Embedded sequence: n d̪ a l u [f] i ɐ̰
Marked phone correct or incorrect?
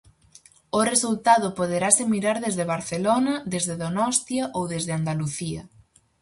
incorrect